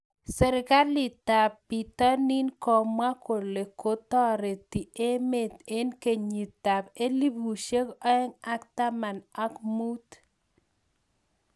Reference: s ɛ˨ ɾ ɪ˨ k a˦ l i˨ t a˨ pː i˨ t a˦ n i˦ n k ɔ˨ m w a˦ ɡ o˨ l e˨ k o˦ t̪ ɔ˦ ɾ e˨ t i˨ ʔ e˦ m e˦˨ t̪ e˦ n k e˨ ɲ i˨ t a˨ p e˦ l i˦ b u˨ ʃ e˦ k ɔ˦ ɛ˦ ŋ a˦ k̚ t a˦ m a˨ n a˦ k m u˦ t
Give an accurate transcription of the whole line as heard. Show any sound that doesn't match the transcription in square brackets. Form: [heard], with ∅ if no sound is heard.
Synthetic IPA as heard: s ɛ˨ ɾ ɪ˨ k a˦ l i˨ t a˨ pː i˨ t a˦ n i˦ n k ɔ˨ m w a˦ [k] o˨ l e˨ k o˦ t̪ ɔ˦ ɾ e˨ t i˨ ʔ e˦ m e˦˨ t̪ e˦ n k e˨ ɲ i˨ t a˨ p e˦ l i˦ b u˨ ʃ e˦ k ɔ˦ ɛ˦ ŋ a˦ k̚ t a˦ m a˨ n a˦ k m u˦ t